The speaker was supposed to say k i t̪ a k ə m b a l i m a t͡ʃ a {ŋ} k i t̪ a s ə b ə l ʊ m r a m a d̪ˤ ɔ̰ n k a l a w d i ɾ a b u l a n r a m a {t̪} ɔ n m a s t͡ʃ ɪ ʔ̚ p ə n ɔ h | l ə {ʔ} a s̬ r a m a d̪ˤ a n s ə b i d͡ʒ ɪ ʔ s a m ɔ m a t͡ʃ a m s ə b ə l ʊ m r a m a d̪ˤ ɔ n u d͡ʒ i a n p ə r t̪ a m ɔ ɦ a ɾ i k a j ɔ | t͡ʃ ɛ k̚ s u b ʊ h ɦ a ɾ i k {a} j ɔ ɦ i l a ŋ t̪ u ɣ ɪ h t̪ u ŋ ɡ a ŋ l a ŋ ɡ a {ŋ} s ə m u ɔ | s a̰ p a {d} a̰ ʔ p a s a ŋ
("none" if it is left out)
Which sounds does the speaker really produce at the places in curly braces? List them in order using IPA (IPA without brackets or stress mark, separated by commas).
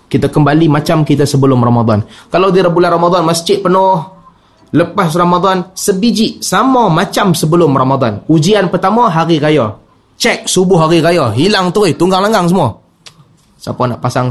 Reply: m, d̪, p, a, ŋ, n